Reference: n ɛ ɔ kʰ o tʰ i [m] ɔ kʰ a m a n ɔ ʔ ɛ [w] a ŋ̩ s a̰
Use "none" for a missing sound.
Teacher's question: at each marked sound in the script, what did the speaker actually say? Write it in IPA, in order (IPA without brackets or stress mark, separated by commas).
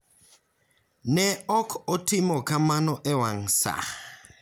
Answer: m, w